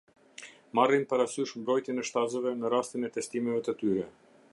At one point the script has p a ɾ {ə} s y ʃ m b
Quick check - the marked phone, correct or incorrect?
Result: incorrect